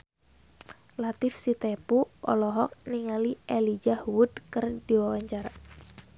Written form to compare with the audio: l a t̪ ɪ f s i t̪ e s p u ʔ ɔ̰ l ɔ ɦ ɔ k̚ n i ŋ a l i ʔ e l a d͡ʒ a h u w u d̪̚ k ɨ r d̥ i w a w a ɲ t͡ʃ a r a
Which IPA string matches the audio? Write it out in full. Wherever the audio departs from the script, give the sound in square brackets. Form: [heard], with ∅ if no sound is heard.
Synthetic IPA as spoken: l a t̪ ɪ f s i t̪ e [∅] p u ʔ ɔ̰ l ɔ ɦ ɔ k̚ n i ŋ a l i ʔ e l [i] d͡ʒ a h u w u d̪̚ k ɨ r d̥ i w a w a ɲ t͡ʃ a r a